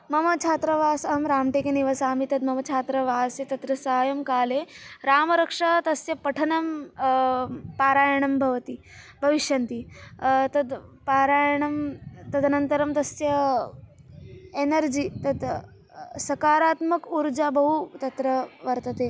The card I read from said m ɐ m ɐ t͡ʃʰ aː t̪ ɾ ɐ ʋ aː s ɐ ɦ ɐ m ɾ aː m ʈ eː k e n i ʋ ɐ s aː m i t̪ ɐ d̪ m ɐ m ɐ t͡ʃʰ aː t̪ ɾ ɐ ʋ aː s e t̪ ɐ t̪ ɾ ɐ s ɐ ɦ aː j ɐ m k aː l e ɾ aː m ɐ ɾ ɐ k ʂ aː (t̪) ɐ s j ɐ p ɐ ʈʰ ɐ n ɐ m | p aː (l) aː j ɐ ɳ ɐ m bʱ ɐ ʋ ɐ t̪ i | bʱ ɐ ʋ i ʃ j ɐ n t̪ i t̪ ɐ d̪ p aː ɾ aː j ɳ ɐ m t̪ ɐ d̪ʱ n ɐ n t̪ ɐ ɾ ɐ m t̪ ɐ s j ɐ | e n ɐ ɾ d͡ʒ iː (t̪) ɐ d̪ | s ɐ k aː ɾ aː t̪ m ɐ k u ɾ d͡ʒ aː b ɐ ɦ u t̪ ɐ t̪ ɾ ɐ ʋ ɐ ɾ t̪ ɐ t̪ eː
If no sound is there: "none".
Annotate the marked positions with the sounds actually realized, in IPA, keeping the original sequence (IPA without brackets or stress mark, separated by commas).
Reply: t̪, ɾ, t̪